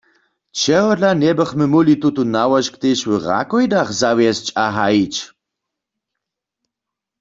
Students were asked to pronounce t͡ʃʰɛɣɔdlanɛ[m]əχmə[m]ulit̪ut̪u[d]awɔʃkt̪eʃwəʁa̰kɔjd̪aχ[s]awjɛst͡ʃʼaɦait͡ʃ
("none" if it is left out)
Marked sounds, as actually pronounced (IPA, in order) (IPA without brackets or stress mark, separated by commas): b, m, n, z